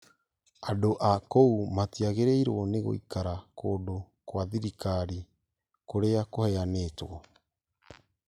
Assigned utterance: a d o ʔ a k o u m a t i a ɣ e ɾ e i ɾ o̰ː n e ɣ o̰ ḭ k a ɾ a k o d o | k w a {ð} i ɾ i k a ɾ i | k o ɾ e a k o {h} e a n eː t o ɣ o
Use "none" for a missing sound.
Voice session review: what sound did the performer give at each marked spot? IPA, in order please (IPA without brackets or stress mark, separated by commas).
ð, h